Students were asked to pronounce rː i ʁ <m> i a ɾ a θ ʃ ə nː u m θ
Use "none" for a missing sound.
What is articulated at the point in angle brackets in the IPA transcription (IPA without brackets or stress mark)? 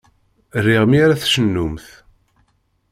m